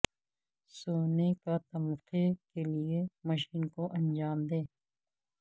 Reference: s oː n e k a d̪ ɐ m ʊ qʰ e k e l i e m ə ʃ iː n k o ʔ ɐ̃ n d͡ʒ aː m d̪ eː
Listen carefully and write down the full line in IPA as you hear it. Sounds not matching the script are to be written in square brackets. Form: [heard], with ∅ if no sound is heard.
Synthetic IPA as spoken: s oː n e k a [t̪] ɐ m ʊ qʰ e k e l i e m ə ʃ iː n k o ʔ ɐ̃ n d͡ʒ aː m d̪ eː